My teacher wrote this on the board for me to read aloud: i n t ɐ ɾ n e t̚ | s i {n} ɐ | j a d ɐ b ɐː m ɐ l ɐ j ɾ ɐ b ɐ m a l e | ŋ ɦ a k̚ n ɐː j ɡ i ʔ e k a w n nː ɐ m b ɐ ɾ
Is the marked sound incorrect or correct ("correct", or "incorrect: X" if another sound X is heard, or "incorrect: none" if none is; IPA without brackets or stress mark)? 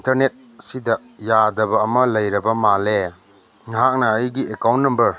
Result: incorrect: d